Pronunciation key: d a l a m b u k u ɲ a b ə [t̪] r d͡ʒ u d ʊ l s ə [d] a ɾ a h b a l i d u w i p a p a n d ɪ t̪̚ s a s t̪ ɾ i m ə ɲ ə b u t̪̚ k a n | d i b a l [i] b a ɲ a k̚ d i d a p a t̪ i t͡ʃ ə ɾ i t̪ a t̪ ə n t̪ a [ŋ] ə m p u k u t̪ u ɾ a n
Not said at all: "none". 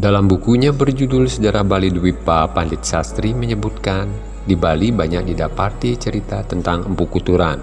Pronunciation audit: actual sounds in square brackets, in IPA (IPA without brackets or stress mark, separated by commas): none, d͡ʒ, i, ŋ